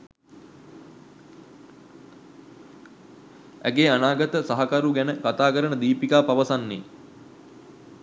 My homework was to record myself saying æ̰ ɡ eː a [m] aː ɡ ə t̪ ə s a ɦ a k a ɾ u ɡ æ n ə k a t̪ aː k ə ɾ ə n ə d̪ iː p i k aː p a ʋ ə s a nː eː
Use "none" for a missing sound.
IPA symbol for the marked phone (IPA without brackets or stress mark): n